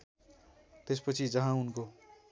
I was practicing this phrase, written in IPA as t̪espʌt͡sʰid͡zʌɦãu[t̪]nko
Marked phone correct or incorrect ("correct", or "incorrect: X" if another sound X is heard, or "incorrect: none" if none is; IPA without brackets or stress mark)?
incorrect: none